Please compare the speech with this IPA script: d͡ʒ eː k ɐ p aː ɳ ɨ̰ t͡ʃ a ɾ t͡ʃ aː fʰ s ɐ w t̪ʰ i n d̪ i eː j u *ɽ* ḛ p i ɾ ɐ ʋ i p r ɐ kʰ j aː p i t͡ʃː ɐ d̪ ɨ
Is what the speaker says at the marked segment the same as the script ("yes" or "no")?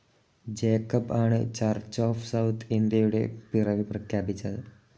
yes